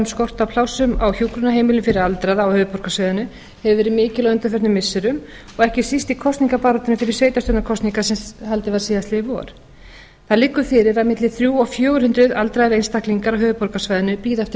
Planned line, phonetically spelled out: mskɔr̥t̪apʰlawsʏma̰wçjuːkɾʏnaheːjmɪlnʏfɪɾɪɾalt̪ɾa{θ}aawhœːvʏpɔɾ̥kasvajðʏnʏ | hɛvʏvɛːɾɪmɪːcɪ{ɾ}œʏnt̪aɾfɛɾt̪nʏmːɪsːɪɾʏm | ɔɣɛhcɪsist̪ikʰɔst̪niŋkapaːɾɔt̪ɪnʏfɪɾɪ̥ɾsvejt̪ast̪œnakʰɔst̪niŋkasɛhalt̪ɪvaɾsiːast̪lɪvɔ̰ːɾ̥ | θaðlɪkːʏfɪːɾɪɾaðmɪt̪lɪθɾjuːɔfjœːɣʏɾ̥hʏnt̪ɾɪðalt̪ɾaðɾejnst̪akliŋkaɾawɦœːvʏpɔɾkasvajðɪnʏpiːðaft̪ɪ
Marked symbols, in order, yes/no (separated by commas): no, no